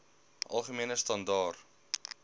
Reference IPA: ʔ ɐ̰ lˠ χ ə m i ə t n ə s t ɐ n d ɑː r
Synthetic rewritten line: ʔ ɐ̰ lˠ χ ə m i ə n ə s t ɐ n d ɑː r